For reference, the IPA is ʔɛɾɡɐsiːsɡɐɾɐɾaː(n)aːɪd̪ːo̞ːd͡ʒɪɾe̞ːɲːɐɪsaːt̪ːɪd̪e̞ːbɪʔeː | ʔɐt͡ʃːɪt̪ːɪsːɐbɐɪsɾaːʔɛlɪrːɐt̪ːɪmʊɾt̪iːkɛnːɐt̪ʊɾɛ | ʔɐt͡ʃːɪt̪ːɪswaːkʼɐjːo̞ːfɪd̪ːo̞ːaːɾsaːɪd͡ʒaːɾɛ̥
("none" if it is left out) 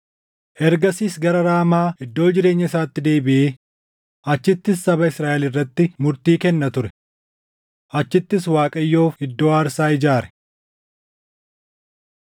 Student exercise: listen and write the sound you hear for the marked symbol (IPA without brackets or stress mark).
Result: m